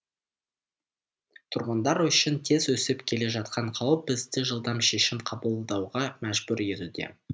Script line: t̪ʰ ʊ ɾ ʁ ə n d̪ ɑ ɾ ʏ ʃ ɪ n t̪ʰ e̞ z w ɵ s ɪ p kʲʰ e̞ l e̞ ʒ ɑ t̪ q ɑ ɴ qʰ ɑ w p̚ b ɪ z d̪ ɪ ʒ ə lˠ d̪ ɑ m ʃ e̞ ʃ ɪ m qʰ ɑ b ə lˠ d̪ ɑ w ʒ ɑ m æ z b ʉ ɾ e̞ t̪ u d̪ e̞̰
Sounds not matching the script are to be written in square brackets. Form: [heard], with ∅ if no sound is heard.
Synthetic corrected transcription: t̪ʰ ʊ ɾ ʁ ə n d̪ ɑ ɾ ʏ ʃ ɪ n t̪ʰ e̞ z w ɵ s ɪ p kʲʰ e̞ l e̞ ʒ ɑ t̪ q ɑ ɴ qʰ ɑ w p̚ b ɪ z d̪ ɪ ʒ ə lˠ d̪ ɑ m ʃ e̞ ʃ ɪ m qʰ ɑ b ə lˠ d̪ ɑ w [ʁ] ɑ m æ [ʒ] b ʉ ɾ e̞ t̪ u d̪ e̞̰